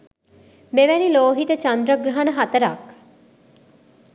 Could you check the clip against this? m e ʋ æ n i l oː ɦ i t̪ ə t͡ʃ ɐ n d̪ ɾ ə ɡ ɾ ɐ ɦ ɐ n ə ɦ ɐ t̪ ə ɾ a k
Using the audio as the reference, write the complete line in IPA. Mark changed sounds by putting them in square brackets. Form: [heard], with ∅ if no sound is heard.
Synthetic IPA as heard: m e ʋ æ n i l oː ɦ i t̪ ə t͡ʃ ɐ n d̪ ɾ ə ɡ ɾ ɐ ɦ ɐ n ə ɦ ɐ t̪ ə ɾ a k